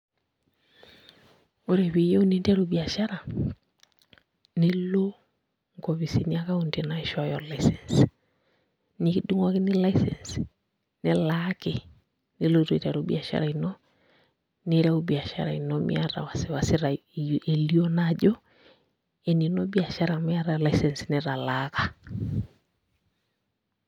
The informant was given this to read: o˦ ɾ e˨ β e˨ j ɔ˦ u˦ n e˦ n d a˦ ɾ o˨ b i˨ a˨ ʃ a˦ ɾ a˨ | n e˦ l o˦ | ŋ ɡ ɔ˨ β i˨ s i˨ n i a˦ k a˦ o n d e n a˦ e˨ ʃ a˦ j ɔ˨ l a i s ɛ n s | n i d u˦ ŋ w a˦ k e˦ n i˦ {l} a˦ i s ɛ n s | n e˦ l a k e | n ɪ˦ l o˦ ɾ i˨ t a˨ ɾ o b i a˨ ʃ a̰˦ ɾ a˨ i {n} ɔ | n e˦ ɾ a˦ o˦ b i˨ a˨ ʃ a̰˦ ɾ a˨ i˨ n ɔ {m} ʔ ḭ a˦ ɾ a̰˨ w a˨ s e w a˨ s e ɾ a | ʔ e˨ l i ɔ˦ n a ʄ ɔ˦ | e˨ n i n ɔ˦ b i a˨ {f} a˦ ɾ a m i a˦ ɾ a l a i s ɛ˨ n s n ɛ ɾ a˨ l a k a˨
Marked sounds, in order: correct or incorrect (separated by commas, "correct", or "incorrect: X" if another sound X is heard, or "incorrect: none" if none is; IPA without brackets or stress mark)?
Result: correct, correct, correct, incorrect: ʃ